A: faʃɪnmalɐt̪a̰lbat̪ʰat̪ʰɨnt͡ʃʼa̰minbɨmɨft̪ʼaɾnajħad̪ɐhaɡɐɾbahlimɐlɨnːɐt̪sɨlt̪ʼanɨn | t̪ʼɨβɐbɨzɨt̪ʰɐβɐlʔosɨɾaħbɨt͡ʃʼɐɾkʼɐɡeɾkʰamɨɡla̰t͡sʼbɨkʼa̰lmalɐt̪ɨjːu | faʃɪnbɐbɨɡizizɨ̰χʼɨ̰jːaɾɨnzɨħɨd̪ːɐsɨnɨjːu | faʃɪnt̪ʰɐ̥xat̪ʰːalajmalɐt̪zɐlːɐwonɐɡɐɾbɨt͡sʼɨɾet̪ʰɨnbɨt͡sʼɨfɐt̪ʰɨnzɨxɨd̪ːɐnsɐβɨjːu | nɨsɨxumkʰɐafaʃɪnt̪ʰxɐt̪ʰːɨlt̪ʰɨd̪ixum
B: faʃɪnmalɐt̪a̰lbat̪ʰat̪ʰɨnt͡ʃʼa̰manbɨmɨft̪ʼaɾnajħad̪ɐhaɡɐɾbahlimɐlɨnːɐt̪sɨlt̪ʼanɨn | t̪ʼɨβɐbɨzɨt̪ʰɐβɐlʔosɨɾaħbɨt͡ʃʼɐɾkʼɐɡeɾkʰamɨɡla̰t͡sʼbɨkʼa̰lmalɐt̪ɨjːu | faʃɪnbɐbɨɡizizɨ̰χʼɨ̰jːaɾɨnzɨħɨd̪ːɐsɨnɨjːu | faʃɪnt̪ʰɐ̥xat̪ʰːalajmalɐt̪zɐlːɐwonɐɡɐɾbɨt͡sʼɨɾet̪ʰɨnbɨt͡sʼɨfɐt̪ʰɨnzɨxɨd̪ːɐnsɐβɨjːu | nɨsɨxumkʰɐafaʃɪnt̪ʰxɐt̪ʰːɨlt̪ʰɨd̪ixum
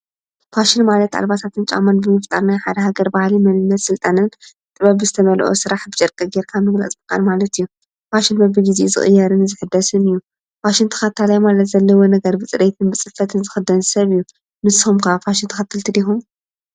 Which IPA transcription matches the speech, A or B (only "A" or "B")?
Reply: B